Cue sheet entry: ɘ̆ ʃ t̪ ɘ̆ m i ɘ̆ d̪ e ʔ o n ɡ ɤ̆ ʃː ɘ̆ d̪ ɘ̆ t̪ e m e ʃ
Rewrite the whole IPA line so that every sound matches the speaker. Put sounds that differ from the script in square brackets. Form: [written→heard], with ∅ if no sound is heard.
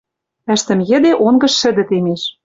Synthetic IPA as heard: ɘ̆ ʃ t̪ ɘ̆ m [i→j] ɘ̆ d̪ e ʔ o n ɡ ɤ̆ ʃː ɘ̆ d̪ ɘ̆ t̪ e m e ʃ

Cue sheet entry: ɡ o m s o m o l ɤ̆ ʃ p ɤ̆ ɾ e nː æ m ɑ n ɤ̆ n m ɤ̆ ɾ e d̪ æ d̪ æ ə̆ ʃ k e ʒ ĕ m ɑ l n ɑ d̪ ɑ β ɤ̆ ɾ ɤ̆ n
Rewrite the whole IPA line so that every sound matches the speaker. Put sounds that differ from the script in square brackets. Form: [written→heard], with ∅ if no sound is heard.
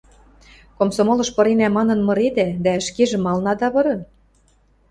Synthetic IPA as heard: [ɡ→k] o m s o m o l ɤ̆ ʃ p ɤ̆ ɾ e [nː→n] æ m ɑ n ɤ̆ n m ɤ̆ ɾ e d̪ æ d̪ æ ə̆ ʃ k e ʒ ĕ m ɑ l n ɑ d̪ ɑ β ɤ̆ ɾ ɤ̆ n

